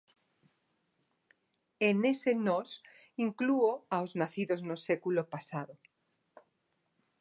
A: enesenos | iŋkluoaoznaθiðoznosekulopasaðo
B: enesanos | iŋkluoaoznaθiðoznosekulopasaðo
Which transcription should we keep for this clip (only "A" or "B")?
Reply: A